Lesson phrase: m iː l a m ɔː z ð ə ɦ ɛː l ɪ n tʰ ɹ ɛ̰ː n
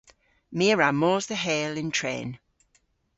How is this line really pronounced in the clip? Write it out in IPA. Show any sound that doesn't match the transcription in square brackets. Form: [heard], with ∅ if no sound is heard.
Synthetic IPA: m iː [ɹ] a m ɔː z ð ə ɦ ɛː l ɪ n tʰ ɹ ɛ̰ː n